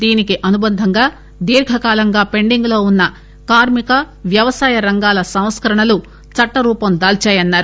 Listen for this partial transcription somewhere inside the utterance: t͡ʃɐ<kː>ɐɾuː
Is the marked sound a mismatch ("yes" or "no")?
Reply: yes